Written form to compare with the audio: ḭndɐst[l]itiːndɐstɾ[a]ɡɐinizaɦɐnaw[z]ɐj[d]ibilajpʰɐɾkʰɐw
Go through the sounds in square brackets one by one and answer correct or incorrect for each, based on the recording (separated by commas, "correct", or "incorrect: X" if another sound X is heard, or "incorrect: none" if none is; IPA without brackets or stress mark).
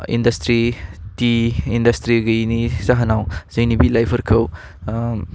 incorrect: ɾ, incorrect: i, correct, incorrect: n